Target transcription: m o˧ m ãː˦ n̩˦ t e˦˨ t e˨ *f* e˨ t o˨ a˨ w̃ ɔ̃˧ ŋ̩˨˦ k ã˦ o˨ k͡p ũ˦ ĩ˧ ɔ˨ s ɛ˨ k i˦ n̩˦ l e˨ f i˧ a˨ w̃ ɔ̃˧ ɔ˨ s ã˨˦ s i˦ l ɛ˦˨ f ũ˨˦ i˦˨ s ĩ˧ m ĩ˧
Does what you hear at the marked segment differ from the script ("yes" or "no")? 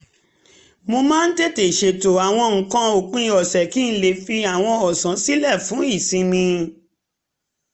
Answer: yes